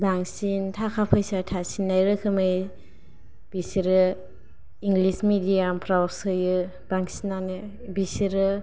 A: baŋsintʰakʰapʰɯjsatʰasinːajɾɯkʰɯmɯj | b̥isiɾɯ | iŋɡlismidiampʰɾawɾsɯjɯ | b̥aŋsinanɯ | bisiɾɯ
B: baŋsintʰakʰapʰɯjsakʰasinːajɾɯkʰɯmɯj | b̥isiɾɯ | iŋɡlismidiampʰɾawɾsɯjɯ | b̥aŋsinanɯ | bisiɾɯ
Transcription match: A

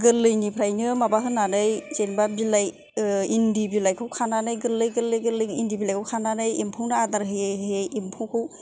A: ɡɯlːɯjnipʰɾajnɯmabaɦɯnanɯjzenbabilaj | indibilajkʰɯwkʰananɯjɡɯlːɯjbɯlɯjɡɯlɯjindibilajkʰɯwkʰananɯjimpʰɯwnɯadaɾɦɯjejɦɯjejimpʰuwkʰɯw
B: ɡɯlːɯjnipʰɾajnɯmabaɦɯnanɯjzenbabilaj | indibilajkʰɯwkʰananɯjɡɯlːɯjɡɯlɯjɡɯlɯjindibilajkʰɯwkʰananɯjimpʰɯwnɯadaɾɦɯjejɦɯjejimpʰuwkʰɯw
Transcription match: B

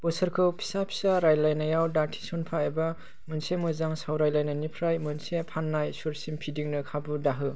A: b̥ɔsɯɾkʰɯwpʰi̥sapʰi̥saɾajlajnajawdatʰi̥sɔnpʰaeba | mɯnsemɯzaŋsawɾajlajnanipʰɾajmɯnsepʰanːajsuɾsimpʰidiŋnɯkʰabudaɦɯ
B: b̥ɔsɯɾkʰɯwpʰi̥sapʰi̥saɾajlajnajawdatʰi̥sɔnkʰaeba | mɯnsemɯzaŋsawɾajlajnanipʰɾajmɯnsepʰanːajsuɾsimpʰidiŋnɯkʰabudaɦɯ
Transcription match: A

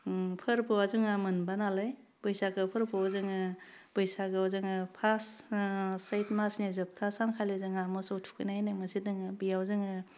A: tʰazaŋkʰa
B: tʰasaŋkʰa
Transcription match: B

